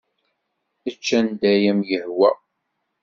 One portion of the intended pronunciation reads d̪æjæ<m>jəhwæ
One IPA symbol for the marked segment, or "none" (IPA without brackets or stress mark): m